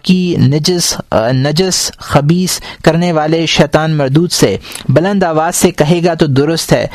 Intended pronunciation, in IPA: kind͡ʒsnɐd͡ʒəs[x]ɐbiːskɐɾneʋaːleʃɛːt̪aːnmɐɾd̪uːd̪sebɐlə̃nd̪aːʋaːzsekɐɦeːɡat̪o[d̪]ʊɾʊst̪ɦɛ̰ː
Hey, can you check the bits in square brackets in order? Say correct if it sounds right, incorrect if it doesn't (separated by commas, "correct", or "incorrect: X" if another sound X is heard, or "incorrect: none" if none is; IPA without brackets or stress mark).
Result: correct, correct